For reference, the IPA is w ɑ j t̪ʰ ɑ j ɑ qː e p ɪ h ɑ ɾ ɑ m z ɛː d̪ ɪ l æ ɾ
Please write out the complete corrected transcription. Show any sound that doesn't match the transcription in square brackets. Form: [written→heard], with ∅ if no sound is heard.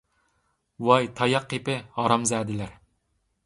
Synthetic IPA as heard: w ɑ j t̪ʰ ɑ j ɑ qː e p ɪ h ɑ ɾ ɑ m z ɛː d̪ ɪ l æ ɾ